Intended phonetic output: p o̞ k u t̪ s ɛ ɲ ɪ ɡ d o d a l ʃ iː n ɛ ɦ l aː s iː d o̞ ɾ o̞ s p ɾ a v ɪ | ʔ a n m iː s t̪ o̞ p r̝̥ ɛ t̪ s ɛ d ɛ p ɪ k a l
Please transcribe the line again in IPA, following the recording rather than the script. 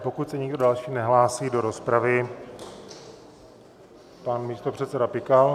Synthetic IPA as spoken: p o̞ k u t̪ s ɛ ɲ ɪ ɡ d o d a l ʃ iː n ɛ ɦ l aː s iː d o̞ ɾ o̞ s p ɾ a v ɪ | p a n m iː s t̪ o̞ p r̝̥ ɛ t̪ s ɛ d a p ɪ k a l